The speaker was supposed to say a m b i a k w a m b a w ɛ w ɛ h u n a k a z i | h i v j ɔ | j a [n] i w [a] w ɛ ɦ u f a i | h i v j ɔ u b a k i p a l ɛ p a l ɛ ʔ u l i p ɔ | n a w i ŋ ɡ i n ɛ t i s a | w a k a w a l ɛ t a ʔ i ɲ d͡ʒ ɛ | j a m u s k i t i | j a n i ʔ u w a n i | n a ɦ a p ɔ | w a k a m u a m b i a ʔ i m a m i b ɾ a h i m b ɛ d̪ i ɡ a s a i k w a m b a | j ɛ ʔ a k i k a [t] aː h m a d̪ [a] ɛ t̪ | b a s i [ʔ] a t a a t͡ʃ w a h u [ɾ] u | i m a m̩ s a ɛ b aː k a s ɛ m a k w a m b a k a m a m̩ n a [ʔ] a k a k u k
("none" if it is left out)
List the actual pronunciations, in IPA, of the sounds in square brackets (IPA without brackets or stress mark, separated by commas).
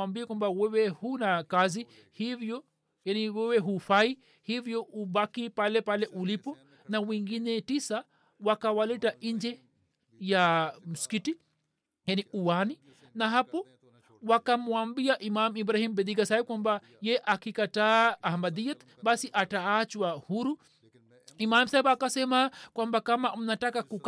n, ɛ, t, i, ʔ, ɾ, t